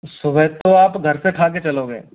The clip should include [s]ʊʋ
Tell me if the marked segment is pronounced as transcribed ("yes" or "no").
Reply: yes